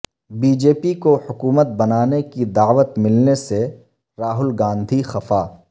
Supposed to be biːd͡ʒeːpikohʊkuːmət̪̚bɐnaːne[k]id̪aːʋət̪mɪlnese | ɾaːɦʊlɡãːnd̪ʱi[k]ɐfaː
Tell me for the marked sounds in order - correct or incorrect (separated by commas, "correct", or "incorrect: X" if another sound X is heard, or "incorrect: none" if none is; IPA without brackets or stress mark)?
correct, incorrect: x